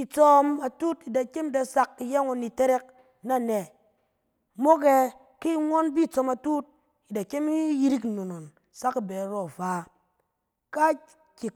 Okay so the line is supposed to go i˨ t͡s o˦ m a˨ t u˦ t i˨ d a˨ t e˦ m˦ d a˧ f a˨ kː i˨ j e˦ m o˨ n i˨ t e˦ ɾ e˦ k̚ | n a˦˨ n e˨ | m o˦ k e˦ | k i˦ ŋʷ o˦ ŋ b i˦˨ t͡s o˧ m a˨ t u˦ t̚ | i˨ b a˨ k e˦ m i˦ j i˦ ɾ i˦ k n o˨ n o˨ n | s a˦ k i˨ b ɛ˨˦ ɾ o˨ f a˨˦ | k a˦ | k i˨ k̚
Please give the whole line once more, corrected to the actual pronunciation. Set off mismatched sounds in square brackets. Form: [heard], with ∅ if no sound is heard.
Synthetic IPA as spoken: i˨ t͡s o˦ m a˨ t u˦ t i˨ d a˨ [k] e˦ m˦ d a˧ [s] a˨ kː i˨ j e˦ [ŋ] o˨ n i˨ t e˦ ɾ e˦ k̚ | n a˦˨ n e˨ | m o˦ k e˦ | k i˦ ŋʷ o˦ [n] b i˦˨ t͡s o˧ m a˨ t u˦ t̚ | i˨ [d] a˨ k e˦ m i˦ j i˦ ɾ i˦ k n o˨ n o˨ n | s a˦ k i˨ b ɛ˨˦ ɾ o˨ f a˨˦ | k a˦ | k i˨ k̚